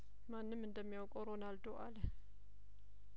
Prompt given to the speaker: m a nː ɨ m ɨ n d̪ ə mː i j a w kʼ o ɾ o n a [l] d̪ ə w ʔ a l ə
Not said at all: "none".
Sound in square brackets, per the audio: l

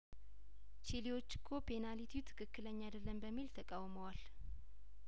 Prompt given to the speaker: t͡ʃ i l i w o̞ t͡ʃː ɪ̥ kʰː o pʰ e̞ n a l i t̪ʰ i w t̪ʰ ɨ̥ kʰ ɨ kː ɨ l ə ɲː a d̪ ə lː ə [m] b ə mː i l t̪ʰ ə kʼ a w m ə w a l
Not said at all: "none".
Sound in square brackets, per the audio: m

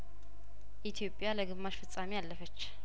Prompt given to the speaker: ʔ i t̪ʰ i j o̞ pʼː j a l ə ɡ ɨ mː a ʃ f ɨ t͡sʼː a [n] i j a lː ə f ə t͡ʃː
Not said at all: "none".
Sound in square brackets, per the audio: m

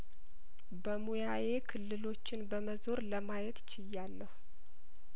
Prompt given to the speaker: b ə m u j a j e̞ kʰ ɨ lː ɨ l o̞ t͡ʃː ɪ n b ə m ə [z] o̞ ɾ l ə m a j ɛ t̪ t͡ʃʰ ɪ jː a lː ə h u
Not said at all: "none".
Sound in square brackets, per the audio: z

